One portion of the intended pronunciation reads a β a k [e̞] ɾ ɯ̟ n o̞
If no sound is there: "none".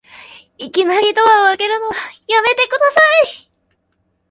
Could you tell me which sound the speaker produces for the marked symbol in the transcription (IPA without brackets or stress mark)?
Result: e̞